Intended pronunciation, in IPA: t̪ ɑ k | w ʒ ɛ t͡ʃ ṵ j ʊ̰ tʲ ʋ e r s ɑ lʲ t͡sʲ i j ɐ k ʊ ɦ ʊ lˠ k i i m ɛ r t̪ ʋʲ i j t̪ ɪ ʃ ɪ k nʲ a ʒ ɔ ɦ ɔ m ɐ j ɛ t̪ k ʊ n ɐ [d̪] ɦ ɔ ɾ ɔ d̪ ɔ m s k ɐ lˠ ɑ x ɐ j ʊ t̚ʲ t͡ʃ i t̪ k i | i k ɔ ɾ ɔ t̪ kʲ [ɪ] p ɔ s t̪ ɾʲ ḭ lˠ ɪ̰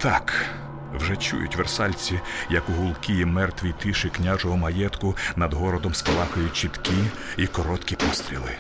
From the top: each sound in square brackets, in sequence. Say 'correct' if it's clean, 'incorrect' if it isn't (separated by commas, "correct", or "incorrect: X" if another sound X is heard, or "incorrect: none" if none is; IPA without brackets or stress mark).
correct, incorrect: i